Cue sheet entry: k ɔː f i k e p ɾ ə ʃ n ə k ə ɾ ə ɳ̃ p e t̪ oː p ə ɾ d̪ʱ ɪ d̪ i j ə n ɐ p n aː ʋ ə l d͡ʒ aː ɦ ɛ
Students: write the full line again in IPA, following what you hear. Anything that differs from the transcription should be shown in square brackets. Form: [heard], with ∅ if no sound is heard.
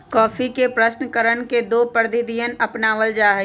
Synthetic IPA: k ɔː f i k e p ɾ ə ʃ n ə k ə ɾ ə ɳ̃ [k] e [d̪] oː p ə ɾ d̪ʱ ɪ d̪ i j ə n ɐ p n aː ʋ ə l d͡ʒ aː ɦ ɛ